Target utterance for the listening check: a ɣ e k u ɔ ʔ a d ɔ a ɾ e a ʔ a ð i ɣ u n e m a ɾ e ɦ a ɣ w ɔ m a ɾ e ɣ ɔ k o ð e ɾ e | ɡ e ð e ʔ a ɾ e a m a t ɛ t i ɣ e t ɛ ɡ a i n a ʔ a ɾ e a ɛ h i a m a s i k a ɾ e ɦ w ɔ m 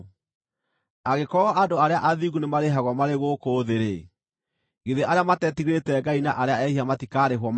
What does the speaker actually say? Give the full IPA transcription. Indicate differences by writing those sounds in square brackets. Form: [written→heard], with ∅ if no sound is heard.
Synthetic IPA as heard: a ɣ e k [u→ɔ] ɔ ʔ a d [ɔ→o] a ɾ e a ʔ a ð i ɣ u n e m a ɾ e ɦ a ɣ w ɔ m a ɾ e ɣ [ɔ→o] k o ð e ɾ e | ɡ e ð e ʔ a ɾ e a m a t ɛ t i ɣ e t ɛ ɡ a i n a ʔ a ɾ e a ɛ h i a m a [s→t] i k a ɾ e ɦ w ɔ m

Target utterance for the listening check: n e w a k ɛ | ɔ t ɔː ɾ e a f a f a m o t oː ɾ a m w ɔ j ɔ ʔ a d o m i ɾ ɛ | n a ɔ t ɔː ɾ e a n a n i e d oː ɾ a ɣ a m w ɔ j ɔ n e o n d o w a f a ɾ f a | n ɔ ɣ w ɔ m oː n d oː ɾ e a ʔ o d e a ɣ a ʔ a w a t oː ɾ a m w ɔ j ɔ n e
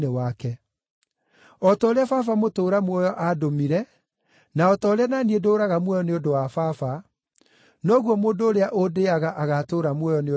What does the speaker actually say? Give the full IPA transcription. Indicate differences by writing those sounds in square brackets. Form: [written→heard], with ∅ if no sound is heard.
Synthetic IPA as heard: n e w a k ɛ | ɔ t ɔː ɾ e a f a f a m o t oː ɾ a m w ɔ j ɔ ʔ a d o m i ɾ ɛ | n a ɔ t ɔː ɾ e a n a n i e d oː ɾ a ɣ a m w ɔ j ɔ n e o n d o w a f a [ɾ→∅] f a | n ɔ ɣ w ɔ m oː n d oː ɾ e a ʔ o d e a ɣ a ʔ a [w→ɣ] a t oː ɾ a m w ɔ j ɔ n e

